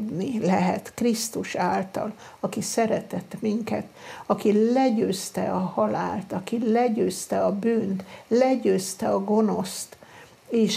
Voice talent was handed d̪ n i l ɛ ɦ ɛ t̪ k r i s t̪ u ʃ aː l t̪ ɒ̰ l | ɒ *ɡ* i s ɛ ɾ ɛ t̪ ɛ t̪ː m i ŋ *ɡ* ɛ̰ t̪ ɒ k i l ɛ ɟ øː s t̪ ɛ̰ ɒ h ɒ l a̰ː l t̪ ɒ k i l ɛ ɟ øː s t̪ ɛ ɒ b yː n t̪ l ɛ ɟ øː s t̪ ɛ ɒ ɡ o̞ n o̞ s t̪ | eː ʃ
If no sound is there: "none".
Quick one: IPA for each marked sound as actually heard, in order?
k, k

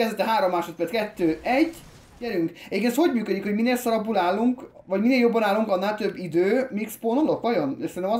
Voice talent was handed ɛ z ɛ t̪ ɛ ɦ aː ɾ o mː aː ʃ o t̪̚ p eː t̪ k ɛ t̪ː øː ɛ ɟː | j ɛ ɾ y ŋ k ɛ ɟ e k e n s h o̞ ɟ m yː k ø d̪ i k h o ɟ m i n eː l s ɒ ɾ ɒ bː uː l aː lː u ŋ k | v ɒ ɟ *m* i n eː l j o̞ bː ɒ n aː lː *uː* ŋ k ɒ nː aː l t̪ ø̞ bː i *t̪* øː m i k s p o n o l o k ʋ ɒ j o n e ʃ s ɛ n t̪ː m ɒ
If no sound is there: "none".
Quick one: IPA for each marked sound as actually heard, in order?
m, u, d̪

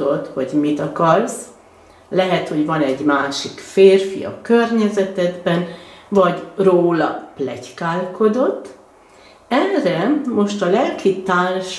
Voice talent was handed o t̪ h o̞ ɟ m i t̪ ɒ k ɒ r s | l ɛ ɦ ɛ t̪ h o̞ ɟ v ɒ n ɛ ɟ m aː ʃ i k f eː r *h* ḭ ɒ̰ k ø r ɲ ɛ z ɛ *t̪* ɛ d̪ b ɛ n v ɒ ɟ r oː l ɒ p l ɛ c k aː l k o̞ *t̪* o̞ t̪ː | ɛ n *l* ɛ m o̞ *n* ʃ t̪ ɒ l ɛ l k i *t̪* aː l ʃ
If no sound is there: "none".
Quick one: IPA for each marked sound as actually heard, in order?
f, t̪, d̪, r, none, t̪

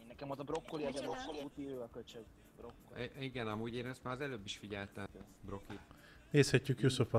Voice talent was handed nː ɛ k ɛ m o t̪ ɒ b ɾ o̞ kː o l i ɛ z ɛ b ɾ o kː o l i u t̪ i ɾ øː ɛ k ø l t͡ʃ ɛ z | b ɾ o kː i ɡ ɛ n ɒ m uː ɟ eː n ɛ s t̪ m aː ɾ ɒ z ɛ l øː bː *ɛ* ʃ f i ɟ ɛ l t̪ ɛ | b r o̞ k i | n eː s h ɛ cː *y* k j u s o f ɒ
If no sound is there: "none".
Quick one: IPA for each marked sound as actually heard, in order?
i, y

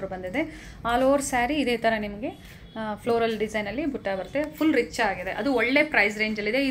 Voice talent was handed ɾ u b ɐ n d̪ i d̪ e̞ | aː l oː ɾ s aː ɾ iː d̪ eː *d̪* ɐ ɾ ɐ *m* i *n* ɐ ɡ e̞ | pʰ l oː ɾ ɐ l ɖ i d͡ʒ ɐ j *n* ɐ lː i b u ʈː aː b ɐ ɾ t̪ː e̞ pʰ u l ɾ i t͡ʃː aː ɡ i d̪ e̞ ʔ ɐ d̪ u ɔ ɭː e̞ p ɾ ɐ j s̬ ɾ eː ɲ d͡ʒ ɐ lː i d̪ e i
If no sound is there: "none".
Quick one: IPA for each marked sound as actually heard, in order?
t̪, n, m, n

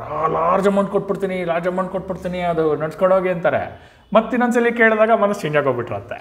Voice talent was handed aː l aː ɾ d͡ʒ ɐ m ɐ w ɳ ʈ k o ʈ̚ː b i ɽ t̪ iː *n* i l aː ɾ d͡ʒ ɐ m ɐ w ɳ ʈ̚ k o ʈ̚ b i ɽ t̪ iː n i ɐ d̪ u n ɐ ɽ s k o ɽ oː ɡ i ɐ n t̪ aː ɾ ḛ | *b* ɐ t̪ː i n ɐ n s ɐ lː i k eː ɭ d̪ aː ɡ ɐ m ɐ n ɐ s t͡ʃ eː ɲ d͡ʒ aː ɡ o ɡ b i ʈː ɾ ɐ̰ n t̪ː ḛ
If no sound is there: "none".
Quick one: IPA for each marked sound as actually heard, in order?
n, m

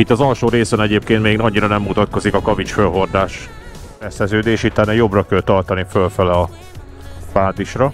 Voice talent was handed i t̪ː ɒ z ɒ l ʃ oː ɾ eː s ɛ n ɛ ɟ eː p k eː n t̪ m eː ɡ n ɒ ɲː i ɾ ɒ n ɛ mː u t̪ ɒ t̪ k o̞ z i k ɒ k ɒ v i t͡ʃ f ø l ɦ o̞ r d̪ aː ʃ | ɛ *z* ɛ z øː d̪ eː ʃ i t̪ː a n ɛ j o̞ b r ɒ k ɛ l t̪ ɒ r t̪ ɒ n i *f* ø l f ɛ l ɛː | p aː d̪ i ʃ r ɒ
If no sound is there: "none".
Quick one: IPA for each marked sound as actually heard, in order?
s, f

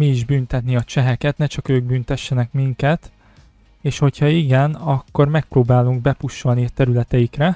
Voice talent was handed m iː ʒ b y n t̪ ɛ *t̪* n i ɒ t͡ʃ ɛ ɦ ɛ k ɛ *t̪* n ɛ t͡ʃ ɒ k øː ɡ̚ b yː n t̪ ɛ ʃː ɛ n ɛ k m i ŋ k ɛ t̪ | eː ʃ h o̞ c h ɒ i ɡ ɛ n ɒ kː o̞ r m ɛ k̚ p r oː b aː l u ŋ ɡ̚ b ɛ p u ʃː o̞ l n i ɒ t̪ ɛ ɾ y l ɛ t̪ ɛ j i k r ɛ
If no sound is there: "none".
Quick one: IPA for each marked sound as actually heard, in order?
t̪, t̪

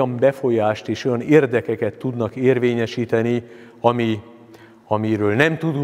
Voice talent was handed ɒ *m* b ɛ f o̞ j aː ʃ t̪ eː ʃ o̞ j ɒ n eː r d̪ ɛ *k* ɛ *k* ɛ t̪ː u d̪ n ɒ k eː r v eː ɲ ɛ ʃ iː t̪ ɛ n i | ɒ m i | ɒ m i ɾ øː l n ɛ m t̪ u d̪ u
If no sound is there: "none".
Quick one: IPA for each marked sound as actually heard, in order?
m, k, k

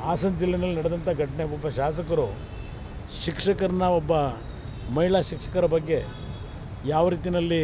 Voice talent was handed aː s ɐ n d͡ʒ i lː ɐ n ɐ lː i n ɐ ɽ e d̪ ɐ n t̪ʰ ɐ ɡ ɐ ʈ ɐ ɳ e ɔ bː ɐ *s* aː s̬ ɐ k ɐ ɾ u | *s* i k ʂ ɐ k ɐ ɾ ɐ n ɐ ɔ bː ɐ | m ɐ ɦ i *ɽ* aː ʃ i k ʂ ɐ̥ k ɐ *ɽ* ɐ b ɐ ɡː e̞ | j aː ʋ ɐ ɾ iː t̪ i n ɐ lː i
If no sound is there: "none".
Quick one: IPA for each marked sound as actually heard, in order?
ʃ, ʃ, ɭ, ɾ

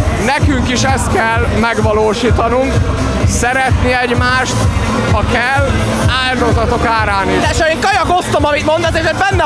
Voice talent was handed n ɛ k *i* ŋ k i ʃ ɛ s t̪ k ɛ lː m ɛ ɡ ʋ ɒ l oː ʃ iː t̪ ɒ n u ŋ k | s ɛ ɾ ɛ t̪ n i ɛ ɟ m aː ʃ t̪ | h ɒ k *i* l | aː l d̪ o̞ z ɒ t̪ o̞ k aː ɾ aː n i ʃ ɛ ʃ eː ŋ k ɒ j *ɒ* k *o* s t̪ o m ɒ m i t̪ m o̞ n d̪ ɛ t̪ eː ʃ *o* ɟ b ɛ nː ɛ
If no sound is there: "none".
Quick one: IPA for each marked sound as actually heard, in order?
y, ɛ, ɒ, o, o

